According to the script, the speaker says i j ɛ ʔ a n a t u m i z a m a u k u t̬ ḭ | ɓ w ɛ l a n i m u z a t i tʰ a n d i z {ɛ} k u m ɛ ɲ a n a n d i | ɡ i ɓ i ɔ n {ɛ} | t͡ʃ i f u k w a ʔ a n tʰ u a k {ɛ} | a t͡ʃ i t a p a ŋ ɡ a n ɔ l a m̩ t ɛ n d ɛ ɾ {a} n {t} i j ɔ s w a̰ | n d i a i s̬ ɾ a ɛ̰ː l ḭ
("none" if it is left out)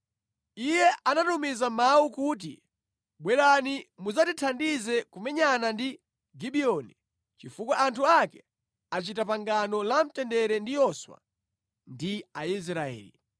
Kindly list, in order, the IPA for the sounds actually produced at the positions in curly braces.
ɛ, i, ɛ, ɛ, d

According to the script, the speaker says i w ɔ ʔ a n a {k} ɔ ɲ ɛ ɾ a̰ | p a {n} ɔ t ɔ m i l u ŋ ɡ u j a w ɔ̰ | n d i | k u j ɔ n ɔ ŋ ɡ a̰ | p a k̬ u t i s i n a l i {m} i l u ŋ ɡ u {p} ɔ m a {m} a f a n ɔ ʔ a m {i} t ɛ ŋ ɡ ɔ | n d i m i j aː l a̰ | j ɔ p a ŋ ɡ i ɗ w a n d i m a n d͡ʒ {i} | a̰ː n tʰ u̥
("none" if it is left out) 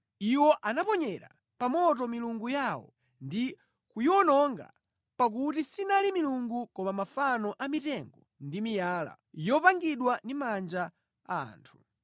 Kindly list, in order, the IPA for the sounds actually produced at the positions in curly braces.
p, m, m, k, m, i, a

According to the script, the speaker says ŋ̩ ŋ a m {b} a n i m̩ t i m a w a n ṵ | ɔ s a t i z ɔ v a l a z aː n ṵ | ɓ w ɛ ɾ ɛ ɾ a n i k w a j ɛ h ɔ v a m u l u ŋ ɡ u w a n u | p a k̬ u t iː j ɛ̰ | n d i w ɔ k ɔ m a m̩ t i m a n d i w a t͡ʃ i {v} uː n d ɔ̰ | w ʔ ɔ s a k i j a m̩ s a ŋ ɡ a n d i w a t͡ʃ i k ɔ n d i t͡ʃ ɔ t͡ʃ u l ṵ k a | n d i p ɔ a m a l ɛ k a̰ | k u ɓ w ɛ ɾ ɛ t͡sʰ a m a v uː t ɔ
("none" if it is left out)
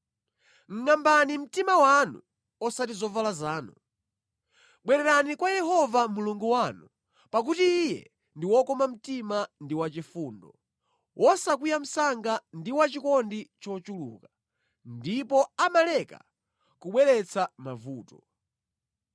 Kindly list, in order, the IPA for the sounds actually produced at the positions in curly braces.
b, f

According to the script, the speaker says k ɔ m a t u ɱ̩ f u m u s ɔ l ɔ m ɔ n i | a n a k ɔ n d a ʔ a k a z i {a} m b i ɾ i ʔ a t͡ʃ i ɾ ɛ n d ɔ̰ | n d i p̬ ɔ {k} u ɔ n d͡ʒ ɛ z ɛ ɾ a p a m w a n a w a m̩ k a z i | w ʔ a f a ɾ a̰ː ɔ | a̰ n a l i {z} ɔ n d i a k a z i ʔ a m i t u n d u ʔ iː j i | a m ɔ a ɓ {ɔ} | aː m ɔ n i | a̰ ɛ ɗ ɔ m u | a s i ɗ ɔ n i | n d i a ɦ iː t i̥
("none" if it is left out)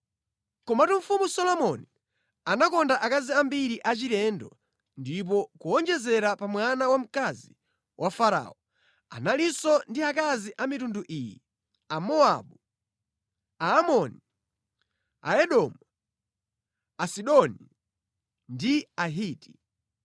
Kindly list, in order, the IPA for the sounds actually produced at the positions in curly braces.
a, k, s, u

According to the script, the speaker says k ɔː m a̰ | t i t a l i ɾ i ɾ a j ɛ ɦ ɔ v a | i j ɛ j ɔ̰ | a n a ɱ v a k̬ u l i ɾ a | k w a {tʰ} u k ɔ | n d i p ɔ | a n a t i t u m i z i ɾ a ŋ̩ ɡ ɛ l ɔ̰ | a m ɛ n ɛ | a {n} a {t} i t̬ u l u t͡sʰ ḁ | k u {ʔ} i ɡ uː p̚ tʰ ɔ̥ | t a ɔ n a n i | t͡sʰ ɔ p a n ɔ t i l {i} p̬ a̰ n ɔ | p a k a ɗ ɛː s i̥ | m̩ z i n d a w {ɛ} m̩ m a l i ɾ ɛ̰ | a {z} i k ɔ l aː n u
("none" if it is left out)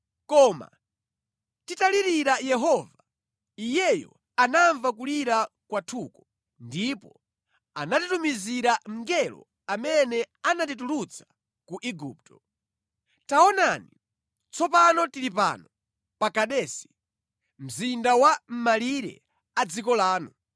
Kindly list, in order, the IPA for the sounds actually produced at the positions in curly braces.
tʰ, n, t, ʔ, i, a, d͡z

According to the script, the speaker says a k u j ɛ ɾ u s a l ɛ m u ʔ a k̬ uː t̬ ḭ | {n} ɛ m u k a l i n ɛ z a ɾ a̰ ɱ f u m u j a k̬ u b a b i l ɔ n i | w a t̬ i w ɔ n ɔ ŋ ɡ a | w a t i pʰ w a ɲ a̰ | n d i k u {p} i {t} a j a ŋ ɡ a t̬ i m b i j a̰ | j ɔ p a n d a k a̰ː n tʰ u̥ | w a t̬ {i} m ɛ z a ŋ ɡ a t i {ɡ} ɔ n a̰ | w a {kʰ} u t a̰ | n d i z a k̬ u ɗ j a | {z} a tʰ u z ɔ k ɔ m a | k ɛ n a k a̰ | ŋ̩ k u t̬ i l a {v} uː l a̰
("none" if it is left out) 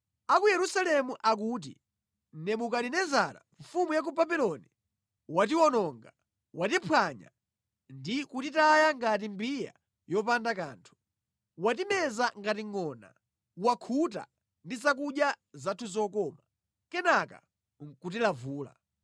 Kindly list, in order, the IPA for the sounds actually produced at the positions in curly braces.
n, t, t, i, ŋ, kʰ, z, v

